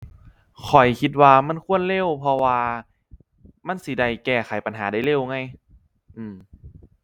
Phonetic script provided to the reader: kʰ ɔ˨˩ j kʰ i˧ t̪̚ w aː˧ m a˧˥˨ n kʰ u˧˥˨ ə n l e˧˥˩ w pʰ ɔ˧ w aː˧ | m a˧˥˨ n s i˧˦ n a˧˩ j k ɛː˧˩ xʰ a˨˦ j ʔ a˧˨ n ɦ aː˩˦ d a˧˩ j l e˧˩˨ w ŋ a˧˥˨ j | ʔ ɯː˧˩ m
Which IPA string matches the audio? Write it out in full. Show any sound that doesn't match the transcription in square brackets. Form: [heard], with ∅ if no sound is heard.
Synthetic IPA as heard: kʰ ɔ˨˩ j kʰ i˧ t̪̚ w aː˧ m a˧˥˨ n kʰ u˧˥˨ ə n l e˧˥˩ w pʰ ɔ˧ w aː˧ | m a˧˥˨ n s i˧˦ [d] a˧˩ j k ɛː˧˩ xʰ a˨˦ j [p] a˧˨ n ɦ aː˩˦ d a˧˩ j l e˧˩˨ w ŋ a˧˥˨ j | ʔ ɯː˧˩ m

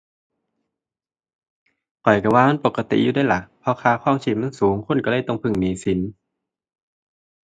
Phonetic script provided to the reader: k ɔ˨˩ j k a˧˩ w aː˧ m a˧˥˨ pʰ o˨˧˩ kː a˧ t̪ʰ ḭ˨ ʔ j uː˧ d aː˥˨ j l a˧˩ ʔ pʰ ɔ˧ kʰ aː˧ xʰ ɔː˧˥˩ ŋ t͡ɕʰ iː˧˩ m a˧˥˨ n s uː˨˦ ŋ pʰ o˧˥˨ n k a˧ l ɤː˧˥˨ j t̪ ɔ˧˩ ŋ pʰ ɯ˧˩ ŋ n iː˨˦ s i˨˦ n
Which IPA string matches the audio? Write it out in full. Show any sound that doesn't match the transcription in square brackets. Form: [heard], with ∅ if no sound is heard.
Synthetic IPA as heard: k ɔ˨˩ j k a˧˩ w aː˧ m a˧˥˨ [p] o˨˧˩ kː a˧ [t̪] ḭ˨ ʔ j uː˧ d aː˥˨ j l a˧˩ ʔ pʰ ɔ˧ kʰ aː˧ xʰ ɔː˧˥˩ ŋ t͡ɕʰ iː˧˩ m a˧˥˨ n s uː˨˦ ŋ [kʰ] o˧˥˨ n k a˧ l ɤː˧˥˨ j t̪ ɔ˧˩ ŋ pʰ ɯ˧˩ ŋ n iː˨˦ s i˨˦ n

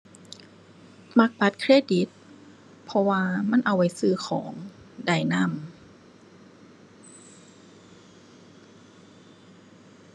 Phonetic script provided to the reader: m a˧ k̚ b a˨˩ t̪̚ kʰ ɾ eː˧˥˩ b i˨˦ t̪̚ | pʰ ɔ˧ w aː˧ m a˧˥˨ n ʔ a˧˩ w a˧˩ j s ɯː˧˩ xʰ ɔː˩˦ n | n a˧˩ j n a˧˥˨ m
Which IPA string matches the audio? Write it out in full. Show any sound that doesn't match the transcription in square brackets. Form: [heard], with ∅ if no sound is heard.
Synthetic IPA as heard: m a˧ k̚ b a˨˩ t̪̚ kʰ ɾ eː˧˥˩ [d] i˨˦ t̪̚ | pʰ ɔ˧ w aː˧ m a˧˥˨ n ʔ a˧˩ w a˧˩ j s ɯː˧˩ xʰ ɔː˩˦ [ŋ] | [d] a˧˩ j n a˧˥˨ m

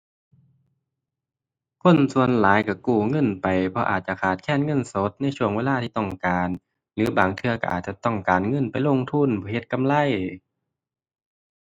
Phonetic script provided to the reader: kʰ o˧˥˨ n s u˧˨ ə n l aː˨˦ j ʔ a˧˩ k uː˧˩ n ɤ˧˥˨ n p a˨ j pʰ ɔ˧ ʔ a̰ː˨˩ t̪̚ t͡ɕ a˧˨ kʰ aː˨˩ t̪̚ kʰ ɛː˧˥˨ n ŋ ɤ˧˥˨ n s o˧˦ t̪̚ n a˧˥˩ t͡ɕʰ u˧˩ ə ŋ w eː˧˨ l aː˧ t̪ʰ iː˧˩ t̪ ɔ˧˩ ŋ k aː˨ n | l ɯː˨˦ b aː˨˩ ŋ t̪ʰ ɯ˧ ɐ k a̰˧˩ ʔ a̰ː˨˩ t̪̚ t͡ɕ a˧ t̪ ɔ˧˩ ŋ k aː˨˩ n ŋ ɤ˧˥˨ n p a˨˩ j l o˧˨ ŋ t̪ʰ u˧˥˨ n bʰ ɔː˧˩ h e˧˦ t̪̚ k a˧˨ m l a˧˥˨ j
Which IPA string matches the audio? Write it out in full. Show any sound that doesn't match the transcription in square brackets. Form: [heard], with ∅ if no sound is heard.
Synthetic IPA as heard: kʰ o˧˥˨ n s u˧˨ ə n l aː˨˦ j [k] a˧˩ k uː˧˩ [ŋ] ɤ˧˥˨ n p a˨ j pʰ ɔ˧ ʔ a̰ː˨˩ t̪̚ t͡ɕ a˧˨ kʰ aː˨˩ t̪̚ kʰ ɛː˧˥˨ n ŋ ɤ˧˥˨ n s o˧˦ t̪̚ n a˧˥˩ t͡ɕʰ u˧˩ ə ŋ w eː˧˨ l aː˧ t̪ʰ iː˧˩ t̪ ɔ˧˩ ŋ k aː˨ n | l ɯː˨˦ b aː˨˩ ŋ t̪ʰ ɯ˧ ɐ k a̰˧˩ ʔ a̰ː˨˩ t̪̚ t͡ɕ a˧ t̪ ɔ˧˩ ŋ k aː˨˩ n ŋ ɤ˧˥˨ n p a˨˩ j l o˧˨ ŋ t̪ʰ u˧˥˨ n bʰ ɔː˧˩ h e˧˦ t̪̚ k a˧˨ m l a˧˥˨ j

